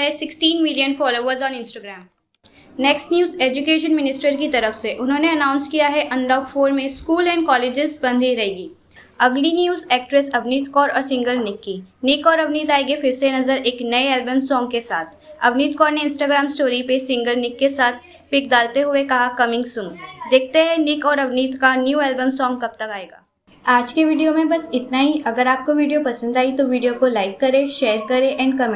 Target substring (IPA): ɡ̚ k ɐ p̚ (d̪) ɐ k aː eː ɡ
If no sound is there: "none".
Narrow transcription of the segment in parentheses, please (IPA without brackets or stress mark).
t̪